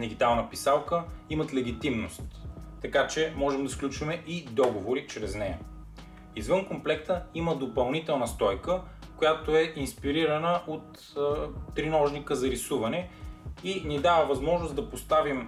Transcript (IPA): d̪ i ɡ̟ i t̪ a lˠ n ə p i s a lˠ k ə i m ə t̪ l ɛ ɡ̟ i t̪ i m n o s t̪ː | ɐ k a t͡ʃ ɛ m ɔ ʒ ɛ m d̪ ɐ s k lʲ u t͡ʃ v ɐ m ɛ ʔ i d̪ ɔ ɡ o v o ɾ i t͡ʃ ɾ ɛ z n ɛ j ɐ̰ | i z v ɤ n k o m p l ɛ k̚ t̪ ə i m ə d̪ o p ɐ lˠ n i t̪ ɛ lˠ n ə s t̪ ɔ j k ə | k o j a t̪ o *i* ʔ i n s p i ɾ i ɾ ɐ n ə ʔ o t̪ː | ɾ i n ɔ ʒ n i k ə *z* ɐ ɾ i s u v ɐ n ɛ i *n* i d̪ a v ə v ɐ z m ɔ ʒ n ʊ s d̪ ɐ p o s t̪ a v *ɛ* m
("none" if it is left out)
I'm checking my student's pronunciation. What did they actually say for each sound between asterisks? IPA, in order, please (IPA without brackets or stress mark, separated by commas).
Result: ɛ, z, n, i